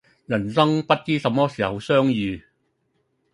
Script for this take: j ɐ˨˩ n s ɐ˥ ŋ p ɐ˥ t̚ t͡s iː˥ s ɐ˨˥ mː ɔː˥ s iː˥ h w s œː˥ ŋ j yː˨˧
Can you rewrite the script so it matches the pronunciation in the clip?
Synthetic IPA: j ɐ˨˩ n s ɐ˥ ŋ p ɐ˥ t̚ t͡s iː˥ s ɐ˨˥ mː ɔː˥ s iː˨˩ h w s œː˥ ŋ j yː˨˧

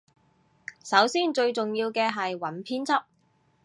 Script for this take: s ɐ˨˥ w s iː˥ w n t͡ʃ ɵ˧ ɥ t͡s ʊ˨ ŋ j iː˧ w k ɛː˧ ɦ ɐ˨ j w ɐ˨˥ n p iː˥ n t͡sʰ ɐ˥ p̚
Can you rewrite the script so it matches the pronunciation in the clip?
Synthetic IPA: s ɐ˨˥ w s iː˥ n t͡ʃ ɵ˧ ɥ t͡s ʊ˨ ŋ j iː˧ w k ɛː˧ ɦ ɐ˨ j w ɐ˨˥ n pʰ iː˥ n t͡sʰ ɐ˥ p̚

